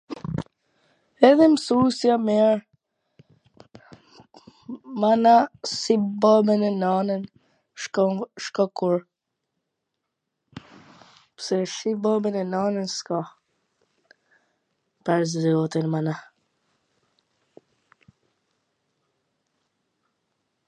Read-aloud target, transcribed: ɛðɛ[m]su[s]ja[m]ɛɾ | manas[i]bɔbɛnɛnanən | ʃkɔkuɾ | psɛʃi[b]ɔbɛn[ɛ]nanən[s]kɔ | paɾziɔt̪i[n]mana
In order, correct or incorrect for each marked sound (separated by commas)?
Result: correct, correct, correct, correct, correct, correct, correct, correct